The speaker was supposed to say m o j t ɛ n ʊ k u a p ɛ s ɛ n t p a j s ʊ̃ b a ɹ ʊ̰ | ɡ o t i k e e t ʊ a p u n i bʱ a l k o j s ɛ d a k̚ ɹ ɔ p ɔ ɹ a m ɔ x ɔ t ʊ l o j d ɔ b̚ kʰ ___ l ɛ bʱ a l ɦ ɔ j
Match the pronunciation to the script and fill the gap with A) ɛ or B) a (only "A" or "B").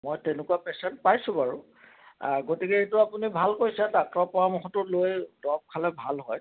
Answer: B